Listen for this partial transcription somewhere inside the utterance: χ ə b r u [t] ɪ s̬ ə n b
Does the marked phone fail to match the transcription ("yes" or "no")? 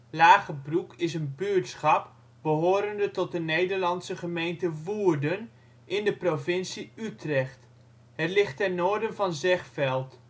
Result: yes